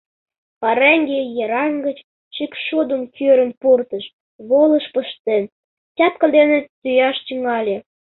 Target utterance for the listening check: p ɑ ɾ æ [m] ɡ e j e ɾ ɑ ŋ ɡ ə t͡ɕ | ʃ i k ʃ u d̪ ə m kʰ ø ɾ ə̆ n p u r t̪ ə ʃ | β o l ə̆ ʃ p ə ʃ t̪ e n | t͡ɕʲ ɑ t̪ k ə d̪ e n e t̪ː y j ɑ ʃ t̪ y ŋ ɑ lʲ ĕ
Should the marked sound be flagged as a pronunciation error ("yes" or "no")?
yes